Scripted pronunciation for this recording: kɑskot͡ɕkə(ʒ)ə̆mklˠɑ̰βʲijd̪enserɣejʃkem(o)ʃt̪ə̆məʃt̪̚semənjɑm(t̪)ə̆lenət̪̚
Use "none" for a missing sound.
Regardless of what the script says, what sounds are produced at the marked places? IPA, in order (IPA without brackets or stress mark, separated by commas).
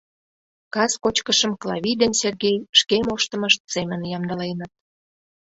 ʃ, o, d̪